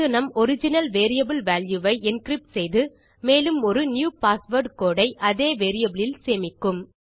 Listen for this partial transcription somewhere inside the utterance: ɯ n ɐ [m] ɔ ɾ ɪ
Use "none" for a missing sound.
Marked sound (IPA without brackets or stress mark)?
m